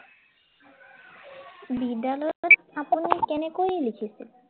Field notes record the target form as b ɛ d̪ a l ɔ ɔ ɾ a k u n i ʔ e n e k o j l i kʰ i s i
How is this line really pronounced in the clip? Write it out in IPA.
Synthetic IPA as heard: b i d̪ a l ɔ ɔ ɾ a p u n i k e n e k o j l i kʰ i s i